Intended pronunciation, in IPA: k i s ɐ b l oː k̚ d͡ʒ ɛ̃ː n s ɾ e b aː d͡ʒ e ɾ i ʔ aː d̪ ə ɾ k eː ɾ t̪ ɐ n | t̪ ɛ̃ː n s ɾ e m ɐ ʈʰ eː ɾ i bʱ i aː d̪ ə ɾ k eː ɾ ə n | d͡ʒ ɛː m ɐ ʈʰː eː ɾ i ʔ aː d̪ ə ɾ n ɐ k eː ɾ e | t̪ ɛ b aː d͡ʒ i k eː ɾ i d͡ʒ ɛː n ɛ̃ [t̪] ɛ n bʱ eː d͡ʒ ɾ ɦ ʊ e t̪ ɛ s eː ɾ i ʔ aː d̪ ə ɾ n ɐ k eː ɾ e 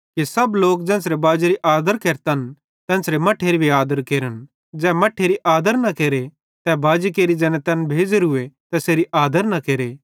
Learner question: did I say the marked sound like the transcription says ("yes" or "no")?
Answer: yes